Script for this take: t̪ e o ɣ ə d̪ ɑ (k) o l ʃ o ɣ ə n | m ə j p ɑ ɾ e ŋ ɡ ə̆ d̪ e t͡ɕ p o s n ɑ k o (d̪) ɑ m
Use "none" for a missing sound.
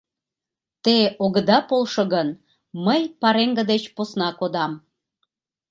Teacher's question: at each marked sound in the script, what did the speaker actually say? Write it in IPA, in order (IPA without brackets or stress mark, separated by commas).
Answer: p, d̪